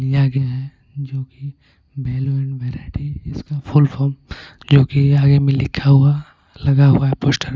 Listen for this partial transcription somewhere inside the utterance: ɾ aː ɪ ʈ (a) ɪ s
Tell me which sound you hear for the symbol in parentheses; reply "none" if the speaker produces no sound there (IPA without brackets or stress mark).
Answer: i